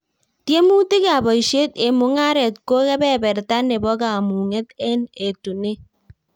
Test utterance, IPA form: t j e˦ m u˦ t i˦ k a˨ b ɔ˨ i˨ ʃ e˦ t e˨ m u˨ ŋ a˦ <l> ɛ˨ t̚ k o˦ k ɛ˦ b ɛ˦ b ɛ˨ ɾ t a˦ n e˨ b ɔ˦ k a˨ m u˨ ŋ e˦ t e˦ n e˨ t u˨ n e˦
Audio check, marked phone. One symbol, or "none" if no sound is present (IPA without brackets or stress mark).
ɾ